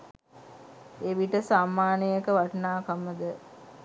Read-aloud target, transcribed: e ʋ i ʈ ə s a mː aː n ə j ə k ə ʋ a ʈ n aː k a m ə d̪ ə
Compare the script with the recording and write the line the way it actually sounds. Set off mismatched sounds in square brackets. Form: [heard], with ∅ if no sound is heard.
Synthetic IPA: e ʋ i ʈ ə s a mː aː n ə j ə k ə ʋ a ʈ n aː k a m ə d̪ ə